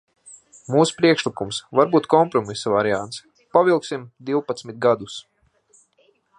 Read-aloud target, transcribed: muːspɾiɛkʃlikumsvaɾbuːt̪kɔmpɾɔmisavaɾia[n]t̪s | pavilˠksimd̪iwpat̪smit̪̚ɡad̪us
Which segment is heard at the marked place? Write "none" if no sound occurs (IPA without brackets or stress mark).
n